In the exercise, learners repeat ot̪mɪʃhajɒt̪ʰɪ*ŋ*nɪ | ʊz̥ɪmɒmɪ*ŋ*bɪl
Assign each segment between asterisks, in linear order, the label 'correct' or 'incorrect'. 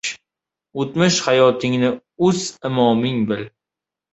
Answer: correct, correct

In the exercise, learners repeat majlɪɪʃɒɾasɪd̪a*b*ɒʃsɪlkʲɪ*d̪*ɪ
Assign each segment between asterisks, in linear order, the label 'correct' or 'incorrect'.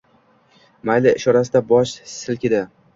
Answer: correct, correct

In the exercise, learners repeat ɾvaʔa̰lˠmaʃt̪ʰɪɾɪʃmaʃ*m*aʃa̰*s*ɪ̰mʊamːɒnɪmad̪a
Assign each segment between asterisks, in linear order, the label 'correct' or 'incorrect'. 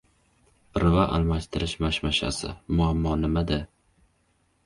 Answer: correct, correct

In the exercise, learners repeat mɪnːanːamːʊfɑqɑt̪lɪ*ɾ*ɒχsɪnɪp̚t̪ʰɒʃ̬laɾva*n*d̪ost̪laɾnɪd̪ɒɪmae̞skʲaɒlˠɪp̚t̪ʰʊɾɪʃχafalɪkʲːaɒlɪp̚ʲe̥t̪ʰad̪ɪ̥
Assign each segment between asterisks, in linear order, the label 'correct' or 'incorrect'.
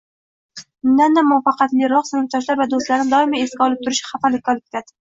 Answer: correct, incorrect

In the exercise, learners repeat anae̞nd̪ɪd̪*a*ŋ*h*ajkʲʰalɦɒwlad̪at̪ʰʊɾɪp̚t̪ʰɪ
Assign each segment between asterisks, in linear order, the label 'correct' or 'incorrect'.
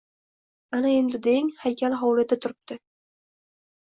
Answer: incorrect, correct

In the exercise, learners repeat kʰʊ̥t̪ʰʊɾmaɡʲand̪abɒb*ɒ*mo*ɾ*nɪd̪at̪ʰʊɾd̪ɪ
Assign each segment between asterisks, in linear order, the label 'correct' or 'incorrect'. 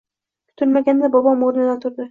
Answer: correct, correct

